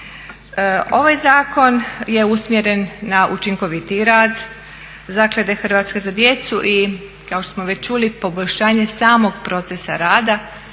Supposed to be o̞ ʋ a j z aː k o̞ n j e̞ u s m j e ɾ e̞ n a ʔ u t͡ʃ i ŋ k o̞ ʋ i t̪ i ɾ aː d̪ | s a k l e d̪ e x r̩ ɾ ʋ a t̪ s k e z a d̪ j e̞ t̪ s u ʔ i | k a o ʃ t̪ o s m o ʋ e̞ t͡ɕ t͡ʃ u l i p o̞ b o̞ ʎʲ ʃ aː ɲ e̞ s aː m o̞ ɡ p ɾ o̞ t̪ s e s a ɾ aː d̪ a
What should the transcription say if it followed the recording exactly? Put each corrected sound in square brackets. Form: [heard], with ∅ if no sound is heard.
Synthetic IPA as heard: o̞ ʋ a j z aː k o̞ n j e̞ u s m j e ɾ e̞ [nː] a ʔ u t͡ʃ i ŋ k o̞ ʋ i t̪ i ɾ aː d̪ | [z] a k l e d̪ e x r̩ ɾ ʋ a t̪ s k e z a d̪ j e̞ t̪ s u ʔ i | k a o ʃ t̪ o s m o ʋ e̞ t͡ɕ t͡ʃ u l i p o̞ b o̞ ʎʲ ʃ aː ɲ e̞ s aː m o̞ ɡ p ɾ o̞ t̪ s e s a ɾ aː d̪ a